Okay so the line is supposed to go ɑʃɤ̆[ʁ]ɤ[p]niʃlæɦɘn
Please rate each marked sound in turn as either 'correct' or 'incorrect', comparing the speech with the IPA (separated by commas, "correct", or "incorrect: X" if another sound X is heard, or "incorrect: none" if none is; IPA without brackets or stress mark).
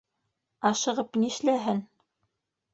correct, correct